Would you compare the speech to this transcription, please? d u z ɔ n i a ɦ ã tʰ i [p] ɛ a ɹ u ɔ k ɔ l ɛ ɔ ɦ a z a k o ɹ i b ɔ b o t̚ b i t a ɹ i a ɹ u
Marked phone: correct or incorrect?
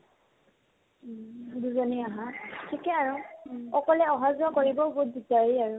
incorrect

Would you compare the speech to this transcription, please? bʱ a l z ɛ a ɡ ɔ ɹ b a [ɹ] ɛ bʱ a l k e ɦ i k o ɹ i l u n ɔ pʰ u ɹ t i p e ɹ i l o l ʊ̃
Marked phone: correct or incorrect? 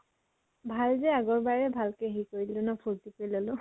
correct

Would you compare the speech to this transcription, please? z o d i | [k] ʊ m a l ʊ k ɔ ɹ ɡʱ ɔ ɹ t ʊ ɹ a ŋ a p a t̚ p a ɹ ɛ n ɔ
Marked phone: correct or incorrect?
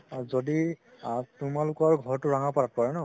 incorrect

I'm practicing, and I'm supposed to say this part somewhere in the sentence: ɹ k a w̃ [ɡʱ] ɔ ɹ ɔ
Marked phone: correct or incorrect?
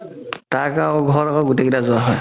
correct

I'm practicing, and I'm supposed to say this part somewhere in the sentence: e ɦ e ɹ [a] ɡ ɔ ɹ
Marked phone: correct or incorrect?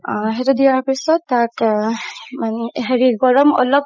incorrect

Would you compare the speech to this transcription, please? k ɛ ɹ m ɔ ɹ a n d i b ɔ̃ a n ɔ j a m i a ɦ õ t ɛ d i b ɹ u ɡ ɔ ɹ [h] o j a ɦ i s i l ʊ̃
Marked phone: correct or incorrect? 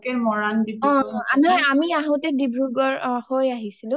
correct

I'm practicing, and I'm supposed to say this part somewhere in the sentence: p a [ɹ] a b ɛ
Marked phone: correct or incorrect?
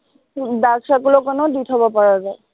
correct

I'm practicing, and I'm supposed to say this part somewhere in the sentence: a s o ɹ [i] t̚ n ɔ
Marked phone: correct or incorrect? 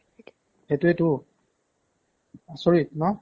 correct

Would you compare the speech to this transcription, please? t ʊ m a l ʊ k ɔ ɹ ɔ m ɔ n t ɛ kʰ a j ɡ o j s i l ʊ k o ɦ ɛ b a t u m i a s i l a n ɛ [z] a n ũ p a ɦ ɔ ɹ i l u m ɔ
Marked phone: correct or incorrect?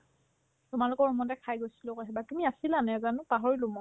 correct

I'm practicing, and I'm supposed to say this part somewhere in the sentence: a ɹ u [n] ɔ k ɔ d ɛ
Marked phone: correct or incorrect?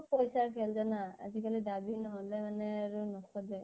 correct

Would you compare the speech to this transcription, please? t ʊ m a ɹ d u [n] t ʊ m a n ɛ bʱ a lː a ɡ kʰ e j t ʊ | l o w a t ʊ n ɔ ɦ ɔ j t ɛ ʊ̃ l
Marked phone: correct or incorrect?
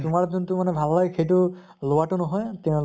correct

